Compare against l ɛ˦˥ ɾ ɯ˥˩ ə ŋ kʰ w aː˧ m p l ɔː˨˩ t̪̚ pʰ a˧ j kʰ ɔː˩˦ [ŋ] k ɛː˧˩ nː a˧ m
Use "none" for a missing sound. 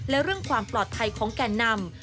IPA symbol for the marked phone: ŋ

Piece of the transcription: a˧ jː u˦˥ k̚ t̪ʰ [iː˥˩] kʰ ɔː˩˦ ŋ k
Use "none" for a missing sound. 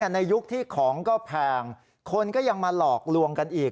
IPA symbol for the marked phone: iː˥˩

